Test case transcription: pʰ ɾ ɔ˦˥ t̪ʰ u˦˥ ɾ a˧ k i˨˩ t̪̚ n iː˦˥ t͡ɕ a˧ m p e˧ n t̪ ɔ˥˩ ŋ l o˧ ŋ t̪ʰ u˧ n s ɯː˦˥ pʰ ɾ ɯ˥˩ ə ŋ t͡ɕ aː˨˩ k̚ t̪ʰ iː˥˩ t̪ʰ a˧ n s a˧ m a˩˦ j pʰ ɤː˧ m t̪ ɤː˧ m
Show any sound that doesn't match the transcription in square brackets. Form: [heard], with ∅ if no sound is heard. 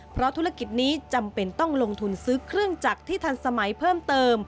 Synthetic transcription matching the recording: pʰ ɾ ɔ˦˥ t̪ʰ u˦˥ ɾ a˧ k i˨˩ t̪̚ n iː˦˥ t͡ɕ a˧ m p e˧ n t̪ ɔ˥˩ ŋ l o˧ ŋ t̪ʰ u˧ n s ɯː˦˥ [kʰ] ɾ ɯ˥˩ ə ŋ t͡ɕ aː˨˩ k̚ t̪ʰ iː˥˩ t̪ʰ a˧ n s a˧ m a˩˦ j pʰ [ɤː˥˩] m t̪ ɤː˧ m